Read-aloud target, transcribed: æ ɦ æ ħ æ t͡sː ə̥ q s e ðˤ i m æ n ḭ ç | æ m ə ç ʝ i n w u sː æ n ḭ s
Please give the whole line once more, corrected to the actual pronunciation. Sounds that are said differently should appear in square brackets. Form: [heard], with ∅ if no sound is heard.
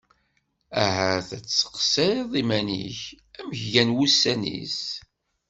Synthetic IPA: æ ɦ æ [θ] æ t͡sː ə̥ q s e ðˤ i m æ n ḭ ç | æ m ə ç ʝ [æ] n w u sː æ n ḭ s